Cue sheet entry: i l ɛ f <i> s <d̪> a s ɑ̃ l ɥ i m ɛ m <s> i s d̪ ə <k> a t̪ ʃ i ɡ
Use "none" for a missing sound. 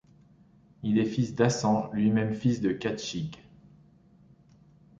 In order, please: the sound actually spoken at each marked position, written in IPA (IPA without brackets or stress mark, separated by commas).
i, d̪, f, k